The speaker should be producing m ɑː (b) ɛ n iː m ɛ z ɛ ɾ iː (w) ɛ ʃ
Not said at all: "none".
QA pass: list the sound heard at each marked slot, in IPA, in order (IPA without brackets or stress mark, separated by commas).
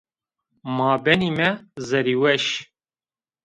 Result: b, w